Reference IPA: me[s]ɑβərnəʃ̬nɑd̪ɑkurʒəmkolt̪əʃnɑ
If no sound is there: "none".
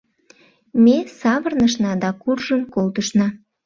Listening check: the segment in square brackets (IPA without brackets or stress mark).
s